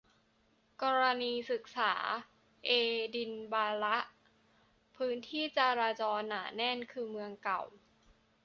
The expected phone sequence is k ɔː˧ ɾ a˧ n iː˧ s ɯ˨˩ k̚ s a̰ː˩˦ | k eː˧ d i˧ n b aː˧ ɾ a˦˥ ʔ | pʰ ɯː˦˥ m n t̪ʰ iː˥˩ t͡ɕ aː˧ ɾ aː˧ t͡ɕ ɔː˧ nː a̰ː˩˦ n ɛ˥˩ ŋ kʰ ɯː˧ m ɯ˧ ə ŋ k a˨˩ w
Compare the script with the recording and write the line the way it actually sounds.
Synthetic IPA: k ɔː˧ ɾ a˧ n iː˧ s ɯ˨˩ k̚ s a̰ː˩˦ | ʔ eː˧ d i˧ n b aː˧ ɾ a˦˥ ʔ | pʰ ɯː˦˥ n t̪ʰ iː˥˩ t͡ɕ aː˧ ɾ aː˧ t͡ɕ ɔː˧ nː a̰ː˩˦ n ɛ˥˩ n kʰ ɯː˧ m ɯ˧ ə ŋ k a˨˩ w

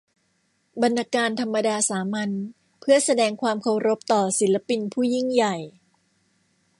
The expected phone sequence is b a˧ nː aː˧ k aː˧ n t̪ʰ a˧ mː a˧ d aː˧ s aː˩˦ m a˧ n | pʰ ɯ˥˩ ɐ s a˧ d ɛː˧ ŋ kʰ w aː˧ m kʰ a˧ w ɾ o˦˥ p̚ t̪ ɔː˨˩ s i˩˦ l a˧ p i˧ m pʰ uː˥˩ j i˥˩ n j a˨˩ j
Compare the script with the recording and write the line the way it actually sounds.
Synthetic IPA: b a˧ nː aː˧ k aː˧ n t̪ʰ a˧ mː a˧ d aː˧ s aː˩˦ m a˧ n | pʰ ɯ˥˩ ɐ s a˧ d ɛː˧ ŋ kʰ w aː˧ m kʰ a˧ w ɾ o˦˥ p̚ t̪ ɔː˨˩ s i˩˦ l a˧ p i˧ n pʰ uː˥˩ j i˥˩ ŋ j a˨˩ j

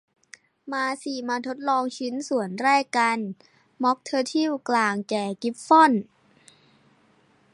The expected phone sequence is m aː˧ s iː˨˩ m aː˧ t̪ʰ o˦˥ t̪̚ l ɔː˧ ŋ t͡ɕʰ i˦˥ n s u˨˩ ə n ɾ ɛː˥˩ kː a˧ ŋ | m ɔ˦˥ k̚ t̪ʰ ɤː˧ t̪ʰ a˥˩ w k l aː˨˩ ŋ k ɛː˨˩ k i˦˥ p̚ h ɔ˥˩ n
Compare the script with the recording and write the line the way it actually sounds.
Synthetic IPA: m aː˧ s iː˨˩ m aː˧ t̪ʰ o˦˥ t̪̚ l ɔː˧ ŋ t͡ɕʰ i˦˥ n s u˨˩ ə n ɾ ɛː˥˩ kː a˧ n | m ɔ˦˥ k̚ t̪ʰ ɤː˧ t̪ʰ i˥˩ w k l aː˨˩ ŋ k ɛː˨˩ k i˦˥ p̚ f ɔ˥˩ n

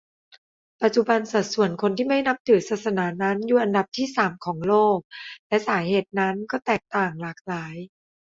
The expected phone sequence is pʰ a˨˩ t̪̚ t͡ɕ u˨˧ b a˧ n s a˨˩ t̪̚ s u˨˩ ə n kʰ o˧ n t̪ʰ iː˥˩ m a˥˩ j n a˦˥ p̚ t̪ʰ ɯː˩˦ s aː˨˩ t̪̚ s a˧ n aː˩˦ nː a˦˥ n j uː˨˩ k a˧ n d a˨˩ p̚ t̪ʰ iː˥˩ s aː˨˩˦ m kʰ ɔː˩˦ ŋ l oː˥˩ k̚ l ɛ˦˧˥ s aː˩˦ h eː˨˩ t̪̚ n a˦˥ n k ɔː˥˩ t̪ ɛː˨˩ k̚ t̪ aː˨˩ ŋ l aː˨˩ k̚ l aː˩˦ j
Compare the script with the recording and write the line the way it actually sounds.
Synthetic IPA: p a˨˩ t̪̚ t͡ɕ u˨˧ b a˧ n s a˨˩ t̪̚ s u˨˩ ə n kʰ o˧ n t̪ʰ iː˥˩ m a˥˩ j n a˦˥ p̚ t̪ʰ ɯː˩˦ s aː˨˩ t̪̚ s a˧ n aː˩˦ n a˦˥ n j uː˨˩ ʔ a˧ n d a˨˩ p̚ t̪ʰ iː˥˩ s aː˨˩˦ m kʰ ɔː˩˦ ŋ l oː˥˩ k̚ l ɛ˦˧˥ s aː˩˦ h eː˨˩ t̪̚ n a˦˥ n k ɔː˥˩ t̪ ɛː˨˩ k̚ t̪ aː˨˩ ŋ l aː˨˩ k̚ l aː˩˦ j

